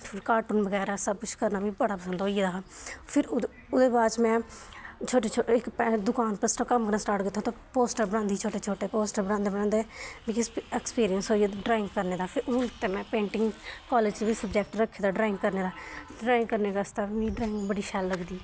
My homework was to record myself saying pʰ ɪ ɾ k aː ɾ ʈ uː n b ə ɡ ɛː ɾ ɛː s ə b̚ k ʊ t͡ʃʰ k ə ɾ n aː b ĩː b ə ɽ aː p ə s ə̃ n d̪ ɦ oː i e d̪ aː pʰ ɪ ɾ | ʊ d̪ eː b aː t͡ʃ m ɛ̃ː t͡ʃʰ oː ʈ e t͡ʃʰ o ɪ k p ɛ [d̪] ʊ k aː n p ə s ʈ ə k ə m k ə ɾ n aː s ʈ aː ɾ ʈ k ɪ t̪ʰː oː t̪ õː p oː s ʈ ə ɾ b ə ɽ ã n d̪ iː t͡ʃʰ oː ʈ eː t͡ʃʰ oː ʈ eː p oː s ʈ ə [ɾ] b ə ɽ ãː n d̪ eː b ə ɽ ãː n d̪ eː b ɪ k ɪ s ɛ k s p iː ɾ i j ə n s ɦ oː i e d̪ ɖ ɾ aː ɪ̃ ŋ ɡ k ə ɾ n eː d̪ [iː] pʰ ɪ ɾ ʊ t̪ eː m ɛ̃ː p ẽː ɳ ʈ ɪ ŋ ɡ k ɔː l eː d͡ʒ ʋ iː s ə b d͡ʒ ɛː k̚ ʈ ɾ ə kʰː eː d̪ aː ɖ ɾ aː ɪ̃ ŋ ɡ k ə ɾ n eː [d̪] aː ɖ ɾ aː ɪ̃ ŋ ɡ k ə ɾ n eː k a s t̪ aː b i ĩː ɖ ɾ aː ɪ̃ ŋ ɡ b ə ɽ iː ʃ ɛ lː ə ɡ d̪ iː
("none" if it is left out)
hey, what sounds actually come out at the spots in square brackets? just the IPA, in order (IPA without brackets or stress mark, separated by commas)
d̪, ɾ, aː, d̪